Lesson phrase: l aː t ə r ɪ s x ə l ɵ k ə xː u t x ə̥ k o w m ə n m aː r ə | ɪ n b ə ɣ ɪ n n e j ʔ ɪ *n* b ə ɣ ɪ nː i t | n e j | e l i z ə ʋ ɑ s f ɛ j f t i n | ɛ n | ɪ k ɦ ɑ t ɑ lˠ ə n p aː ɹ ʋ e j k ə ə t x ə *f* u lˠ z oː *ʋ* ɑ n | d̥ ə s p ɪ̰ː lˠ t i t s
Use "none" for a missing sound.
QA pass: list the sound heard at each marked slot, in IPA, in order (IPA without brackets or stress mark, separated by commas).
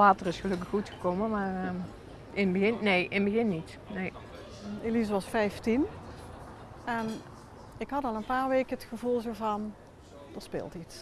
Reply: n, v, v